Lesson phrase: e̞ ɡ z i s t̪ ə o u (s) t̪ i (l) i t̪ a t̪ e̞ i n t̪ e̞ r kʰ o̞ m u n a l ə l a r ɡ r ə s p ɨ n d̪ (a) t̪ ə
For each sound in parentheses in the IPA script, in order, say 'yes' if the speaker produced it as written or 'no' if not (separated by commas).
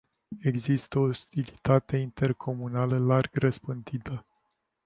yes, yes, no